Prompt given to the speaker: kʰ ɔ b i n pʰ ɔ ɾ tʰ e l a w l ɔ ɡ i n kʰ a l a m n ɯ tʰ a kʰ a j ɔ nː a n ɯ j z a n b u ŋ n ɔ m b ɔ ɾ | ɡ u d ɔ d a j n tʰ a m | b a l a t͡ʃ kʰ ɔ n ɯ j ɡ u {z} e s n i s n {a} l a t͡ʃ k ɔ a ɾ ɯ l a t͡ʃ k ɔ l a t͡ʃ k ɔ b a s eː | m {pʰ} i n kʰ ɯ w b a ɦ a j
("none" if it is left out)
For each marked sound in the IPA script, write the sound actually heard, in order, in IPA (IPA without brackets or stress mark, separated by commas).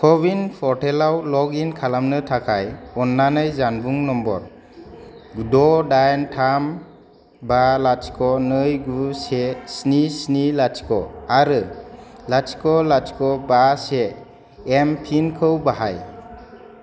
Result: s, i, pʰ